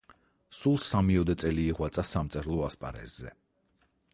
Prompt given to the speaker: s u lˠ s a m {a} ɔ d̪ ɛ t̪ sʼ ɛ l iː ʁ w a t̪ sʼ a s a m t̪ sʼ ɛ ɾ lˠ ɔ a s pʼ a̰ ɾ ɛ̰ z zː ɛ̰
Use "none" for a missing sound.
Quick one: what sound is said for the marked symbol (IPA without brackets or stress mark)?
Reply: i